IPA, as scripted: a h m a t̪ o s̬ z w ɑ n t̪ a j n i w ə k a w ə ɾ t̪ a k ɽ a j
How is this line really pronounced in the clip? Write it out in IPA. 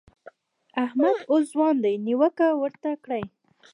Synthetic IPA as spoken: a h m a d̪ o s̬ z w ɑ n d̪ a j n i w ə k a w ə ɾ t̪ a k ɽ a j